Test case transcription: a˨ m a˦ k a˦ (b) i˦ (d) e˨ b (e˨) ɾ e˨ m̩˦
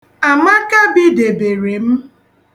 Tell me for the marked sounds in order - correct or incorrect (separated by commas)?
correct, correct, correct